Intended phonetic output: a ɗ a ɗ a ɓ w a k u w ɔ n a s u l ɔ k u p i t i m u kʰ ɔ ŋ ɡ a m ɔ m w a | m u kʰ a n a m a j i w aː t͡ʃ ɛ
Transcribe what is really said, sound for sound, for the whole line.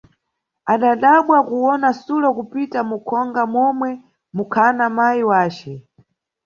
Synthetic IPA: a ɗ a ɗ a ɓ w a k u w ɔ n a s u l ɔ k u p i t a m u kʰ ɔ ŋ ɡ a m ɔ m w ɛ | m u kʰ a n a m a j i w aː t͡ʃ ɛ